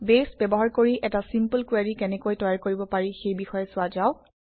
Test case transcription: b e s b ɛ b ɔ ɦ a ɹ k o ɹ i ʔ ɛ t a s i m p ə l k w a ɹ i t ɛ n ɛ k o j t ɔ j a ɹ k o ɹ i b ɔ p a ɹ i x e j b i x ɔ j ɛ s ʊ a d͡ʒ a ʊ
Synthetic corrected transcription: b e s b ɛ b ɔ ɦ a ɹ k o ɹ i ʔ ɛ t a s i m p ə l k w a ɹ i k ɛ n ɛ k o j t ɔ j a ɹ k o ɹ i b ɔ p a ɹ i x e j b i x ɔ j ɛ s ʊ a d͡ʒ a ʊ